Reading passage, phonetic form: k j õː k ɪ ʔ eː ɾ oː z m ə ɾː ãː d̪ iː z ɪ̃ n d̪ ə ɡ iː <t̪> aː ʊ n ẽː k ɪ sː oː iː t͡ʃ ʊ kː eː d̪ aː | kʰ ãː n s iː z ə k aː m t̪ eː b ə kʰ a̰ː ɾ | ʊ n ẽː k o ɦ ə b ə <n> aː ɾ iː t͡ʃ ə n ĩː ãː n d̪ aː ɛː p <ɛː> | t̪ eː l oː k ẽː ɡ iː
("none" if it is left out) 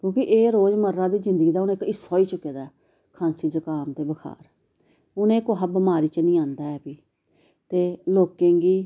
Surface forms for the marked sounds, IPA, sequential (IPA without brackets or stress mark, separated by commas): d̪, m, iː